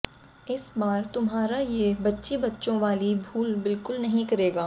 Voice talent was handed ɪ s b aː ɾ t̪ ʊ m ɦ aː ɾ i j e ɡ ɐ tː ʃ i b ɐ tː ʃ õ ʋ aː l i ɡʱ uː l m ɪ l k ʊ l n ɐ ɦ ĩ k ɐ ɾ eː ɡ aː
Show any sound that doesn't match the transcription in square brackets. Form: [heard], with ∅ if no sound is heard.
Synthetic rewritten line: ɪ s b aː ɾ t̪ ʊ m ɦ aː ɾ [a] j e [b] ɐ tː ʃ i b ɐ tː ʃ õ ʋ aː l i [bʱ] uː l [b] ɪ l k ʊ l n ɐ ɦ ĩ k ɐ ɾ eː ɡ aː